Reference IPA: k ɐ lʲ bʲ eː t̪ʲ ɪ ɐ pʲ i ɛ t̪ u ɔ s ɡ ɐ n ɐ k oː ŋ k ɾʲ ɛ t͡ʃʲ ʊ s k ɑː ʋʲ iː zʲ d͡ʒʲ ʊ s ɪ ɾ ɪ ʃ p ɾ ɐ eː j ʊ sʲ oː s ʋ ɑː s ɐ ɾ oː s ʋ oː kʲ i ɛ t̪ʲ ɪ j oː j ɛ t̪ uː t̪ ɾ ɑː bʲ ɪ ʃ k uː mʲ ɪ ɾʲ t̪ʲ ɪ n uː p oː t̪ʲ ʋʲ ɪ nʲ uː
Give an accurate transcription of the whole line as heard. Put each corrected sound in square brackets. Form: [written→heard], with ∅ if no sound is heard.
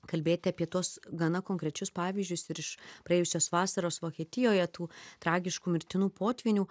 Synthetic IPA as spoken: k ɐ lʲ bʲ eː t̪ʲ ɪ ɐ pʲ i ɛ t̪ u ɔ s ɡ ɐ n ɐ k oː ŋ k ɾʲ ɛ t͡ʃʲ ʊ s [k→p] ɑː ʋʲ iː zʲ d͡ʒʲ ʊ s ɪ ɾ ɪ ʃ p ɾ ɐ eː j ʊ sʲ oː s ʋ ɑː s ɐ ɾ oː s ʋ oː kʲ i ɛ t̪ʲ ɪ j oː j ɛ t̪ uː t̪ ɾ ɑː [bʲ→ɡʲ] ɪ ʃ k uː mʲ ɪ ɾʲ t̪ʲ ɪ n uː p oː t̪ʲ ʋʲ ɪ nʲ uː